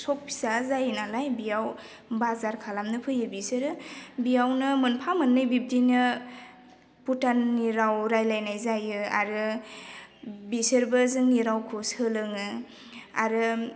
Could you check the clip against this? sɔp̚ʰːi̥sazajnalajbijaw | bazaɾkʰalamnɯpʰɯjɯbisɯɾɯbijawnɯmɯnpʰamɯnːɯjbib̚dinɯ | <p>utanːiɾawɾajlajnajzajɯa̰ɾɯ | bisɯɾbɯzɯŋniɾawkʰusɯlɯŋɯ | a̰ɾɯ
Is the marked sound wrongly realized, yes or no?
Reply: no